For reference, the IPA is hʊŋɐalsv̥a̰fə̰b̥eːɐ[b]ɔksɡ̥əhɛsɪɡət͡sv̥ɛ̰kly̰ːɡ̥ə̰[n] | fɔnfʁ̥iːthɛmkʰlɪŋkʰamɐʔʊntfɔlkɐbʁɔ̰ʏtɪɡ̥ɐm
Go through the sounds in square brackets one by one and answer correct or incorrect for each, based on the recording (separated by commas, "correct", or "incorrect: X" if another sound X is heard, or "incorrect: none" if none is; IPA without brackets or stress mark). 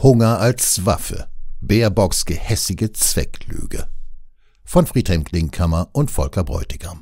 correct, incorrect: none